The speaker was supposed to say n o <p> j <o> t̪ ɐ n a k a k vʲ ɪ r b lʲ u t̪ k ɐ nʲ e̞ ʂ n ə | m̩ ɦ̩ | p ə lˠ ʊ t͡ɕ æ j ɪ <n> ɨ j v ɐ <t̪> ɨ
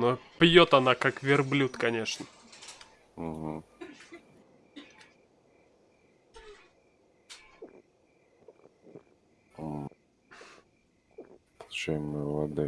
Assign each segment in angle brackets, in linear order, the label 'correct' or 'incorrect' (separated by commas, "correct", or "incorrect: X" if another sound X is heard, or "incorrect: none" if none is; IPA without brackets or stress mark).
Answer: correct, correct, incorrect: m, incorrect: d̪